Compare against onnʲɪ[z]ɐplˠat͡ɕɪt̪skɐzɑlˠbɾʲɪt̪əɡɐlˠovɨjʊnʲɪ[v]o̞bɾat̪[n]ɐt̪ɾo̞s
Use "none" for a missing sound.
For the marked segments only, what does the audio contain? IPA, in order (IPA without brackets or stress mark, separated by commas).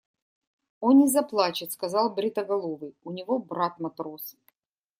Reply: z, v, m